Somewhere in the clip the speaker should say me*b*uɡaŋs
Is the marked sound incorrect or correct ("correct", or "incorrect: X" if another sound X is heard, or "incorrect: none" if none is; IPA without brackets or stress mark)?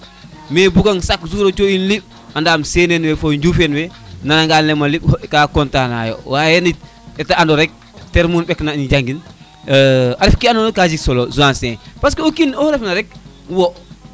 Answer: correct